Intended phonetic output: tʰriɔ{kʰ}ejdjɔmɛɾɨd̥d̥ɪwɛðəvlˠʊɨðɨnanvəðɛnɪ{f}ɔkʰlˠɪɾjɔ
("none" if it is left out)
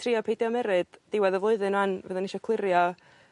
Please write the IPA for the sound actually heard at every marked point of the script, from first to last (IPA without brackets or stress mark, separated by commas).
pʰ, ʃ